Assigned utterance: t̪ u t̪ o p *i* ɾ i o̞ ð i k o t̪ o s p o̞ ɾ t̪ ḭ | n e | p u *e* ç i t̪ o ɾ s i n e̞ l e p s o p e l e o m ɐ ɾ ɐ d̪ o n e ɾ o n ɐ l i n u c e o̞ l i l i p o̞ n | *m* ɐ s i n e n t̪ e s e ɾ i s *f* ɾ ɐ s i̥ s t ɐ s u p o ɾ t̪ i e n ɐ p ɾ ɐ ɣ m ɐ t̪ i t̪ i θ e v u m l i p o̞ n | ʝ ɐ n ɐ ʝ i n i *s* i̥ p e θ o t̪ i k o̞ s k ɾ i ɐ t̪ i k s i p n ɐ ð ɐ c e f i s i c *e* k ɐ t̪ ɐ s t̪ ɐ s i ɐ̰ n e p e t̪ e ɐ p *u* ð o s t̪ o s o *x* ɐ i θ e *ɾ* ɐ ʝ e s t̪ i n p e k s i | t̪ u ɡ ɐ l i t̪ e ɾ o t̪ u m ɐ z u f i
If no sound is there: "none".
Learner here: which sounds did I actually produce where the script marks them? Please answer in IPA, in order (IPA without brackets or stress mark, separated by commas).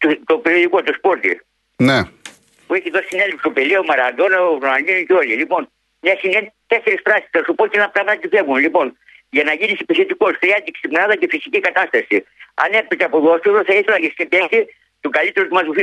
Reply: e, e, ɲ, f, s, i, o, θ, l